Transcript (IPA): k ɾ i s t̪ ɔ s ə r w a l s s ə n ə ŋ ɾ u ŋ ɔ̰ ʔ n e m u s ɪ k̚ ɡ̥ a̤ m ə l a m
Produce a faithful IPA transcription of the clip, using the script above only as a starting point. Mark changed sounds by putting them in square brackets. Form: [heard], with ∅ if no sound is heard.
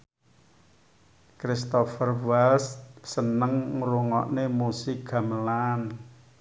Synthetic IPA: k ɾ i s t̪ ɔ [f] ə r w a l s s ə n ə ŋ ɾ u ŋ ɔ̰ ʔ n e m u s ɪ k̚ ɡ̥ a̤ m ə l a [n]